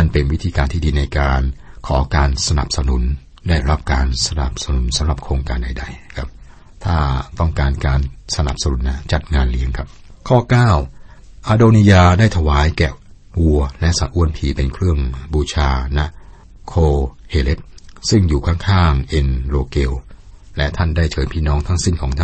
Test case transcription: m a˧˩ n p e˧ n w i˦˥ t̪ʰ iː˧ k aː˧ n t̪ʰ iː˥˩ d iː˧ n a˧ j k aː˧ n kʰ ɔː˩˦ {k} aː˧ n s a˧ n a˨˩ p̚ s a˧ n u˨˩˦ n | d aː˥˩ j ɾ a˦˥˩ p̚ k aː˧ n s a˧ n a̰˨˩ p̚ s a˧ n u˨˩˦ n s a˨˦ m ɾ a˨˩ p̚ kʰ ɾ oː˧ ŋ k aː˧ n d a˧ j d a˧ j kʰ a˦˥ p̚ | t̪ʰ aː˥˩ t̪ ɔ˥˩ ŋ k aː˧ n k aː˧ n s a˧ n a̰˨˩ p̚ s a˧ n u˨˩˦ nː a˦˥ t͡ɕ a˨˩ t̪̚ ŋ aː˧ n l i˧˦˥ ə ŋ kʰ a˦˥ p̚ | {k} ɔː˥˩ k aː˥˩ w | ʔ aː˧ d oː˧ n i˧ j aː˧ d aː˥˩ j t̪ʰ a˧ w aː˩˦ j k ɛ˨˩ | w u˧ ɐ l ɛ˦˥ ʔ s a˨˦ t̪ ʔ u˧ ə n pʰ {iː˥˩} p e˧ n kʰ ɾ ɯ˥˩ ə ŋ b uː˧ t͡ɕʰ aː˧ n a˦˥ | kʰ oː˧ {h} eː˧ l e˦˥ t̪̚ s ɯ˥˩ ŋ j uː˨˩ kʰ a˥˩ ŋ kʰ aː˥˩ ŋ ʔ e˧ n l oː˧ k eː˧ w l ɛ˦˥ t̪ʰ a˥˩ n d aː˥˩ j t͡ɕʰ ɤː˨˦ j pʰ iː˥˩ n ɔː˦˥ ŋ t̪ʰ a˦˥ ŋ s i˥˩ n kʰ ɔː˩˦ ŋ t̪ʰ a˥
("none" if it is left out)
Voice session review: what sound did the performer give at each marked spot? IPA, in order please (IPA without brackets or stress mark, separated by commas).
k, kʰ, iː˨˩, h